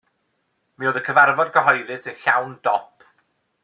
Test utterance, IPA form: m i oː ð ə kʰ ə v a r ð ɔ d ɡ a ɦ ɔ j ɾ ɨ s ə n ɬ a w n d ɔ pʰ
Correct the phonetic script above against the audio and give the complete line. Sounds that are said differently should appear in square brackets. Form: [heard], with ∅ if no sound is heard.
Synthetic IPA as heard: m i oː ð ə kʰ ə v a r [v] ɔ d ɡ [ə] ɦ ɔ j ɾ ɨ s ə n ɬ a w n d ɔ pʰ

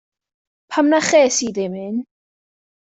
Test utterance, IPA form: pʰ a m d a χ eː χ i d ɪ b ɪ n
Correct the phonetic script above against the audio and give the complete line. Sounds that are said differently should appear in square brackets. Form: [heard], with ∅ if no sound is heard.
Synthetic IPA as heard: pʰ a m [n] a χ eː [s] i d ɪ [m] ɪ n

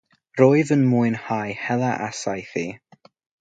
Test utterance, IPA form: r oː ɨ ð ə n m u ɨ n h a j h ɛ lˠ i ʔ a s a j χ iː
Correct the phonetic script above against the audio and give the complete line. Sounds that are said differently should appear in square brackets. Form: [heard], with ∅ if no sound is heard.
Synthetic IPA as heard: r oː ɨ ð ə n m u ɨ n h a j h ɛ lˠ [a] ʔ a s a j [θ] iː

